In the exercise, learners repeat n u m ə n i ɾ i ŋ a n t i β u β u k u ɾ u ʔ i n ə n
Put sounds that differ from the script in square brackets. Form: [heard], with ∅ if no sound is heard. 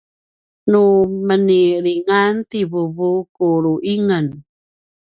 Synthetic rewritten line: n u m ə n i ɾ i ŋ a n t i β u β u k u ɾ u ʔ i [ŋ] ə n